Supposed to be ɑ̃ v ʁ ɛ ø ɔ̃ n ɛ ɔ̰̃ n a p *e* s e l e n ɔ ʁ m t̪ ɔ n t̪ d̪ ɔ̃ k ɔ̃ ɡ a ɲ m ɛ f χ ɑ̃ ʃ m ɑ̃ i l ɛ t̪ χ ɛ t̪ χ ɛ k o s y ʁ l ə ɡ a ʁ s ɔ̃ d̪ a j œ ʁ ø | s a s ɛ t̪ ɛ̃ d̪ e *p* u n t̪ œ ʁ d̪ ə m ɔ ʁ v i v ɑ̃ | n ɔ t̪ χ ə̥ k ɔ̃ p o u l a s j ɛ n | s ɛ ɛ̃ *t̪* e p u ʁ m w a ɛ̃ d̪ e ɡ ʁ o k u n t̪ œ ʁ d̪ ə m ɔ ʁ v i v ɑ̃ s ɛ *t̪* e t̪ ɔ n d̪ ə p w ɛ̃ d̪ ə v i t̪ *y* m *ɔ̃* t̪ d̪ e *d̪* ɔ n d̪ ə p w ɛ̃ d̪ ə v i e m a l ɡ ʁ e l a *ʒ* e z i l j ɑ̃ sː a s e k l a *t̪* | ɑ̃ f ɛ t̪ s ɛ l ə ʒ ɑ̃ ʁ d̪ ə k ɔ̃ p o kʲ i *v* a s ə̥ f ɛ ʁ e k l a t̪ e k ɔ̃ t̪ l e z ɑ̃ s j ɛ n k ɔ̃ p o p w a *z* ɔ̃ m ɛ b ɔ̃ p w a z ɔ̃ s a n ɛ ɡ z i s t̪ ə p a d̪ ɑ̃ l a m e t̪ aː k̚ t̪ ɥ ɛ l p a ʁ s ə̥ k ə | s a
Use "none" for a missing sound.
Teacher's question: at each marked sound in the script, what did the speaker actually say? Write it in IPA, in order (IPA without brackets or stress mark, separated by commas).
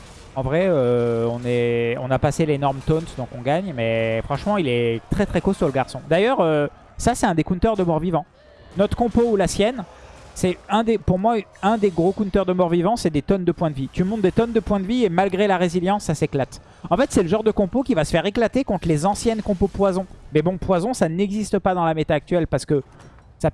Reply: a, k, d̪, d̪, y, ɔ̃, t̪, ʁ, t̪, v, z